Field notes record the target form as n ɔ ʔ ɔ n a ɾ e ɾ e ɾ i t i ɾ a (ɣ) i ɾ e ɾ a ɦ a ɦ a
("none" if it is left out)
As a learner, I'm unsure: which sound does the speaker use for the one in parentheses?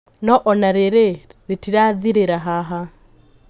ð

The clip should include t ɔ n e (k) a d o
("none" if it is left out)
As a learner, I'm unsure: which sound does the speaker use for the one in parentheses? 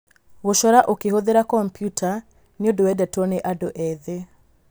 ʔ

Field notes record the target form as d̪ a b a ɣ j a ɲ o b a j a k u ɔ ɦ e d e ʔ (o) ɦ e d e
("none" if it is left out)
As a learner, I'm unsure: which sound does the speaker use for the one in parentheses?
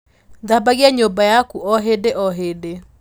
ɔ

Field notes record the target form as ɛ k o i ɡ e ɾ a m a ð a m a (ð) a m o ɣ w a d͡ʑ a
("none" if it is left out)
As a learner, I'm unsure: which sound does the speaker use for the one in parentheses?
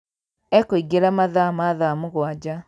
ð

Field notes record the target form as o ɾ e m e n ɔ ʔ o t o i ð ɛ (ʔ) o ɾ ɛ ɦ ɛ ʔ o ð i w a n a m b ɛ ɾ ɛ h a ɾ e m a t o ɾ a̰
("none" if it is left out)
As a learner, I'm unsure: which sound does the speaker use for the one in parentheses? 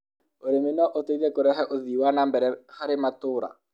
k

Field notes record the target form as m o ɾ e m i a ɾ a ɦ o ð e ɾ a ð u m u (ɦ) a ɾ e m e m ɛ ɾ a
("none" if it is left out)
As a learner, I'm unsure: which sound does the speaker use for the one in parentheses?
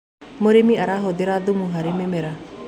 ɦ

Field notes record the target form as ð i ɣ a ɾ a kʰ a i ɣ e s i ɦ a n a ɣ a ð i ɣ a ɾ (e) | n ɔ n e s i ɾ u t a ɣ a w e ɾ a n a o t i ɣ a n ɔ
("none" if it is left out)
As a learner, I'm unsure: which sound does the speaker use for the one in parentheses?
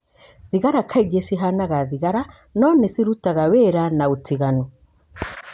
a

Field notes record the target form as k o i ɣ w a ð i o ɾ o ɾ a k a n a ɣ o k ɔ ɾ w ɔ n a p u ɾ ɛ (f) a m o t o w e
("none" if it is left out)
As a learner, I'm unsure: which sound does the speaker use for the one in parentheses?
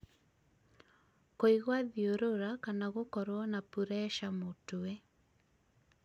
ʃ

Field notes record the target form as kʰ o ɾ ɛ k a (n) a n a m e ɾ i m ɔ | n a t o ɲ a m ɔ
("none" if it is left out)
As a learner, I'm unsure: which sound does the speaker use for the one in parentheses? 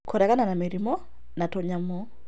n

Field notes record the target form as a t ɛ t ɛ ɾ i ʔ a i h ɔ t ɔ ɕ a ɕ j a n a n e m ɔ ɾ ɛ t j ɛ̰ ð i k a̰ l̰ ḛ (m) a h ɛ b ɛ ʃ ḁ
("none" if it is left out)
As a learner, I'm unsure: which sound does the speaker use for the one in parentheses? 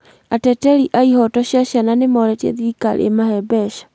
m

